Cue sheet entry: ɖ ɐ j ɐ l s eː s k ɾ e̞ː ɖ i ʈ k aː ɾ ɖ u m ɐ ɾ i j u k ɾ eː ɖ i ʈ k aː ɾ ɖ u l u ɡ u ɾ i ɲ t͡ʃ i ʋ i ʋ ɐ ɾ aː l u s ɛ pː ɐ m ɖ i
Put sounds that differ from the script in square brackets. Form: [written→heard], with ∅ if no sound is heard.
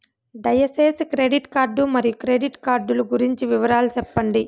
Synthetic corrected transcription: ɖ ɐ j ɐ [l→∅] s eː s k ɾ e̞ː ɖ i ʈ k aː ɾ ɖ u m ɐ ɾ i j u k ɾ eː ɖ i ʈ k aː ɾ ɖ u l u ɡ u ɾ i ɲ t͡ʃ i ʋ i ʋ ɐ ɾ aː l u s ɛ pː ɐ [m→ɳ] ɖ i